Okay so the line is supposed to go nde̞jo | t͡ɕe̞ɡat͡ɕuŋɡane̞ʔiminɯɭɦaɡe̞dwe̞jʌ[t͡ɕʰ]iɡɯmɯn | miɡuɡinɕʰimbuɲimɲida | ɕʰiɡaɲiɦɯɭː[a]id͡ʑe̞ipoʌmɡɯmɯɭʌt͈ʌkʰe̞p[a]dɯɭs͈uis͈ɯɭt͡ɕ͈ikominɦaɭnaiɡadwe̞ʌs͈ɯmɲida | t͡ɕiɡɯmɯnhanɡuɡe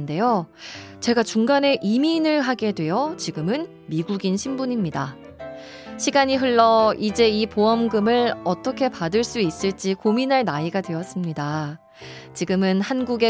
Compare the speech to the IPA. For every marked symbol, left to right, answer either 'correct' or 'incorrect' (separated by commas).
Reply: incorrect, incorrect, correct